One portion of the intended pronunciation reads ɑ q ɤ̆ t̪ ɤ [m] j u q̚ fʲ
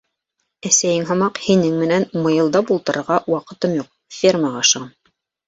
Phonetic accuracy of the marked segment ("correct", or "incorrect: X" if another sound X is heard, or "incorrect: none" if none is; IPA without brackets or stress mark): correct